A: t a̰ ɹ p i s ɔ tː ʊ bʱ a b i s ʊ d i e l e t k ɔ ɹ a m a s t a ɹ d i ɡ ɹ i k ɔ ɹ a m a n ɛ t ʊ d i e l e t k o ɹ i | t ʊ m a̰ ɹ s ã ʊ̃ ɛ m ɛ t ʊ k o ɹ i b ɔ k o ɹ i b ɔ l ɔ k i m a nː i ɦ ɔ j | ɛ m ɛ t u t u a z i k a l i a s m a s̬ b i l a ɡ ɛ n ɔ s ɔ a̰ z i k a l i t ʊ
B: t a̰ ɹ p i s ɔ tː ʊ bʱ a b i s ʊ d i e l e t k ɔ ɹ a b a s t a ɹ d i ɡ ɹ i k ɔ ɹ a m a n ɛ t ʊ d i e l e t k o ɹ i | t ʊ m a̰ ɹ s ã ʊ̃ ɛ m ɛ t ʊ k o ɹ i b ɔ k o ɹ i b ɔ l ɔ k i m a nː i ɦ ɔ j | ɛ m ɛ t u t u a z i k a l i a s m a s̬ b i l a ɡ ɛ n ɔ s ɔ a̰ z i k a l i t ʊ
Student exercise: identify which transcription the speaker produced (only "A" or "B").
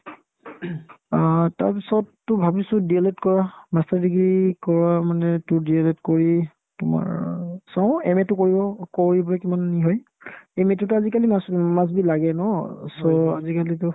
A